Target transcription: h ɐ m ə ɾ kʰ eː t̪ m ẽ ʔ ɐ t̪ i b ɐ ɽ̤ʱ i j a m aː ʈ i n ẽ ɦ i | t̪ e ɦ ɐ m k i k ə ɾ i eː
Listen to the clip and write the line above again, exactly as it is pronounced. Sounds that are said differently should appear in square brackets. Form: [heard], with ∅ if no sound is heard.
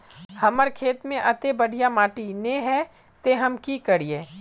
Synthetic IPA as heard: h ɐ m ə ɾ kʰ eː t̪ m ẽ ʔ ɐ t̪ [e] b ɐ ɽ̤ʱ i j a m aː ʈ i n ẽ ɦ [ɛ] | t̪ e ɦ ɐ m k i k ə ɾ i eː